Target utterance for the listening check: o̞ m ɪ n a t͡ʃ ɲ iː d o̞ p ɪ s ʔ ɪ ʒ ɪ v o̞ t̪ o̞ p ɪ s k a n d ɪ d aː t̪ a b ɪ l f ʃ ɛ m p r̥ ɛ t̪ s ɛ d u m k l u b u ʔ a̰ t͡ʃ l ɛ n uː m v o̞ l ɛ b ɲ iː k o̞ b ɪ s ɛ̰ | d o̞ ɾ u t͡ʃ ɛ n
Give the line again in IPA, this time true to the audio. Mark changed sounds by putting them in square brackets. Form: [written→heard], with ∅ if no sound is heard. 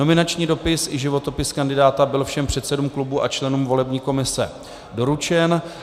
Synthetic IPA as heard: o̞ m ɪ n a t͡ʃ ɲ iː d o̞ p ɪ s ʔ ɪ ʒ ɪ v o̞ t̪ o̞ p ɪ s k a n d ɪ d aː t̪ a b ɪ l f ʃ ɛ m p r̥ ɛ t̪ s ɛ d u m k l u b u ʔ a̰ t͡ʃ l ɛ n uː m v o̞ l ɛ b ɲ iː k o̞ [b→m] ɪ s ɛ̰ | d o̞ ɾ u t͡ʃ ɛ n